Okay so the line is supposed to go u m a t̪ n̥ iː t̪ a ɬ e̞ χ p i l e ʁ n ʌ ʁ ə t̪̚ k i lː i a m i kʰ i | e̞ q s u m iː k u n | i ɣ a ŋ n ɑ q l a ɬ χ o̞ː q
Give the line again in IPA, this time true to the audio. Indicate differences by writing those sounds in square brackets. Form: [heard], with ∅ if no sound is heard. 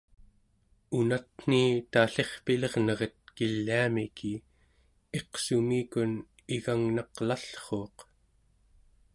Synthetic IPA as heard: u [n] a t̪ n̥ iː t̪ a ɬ e̞ χ p i l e ʁ n ʌ ʁ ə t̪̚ k i lː i a m i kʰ i | e̞ q s u m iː k u n | i ɣ a ŋ n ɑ q l a ɬ χ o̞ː q